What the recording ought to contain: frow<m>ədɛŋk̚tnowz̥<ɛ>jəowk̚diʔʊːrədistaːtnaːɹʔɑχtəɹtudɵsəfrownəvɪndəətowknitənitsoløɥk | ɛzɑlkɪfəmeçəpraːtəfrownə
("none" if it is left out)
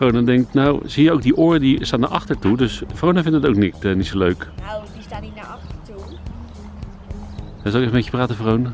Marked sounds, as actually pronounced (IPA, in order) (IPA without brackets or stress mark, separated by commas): n, i